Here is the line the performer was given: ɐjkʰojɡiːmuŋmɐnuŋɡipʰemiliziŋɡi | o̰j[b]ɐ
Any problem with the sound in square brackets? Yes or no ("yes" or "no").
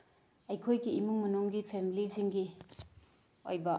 no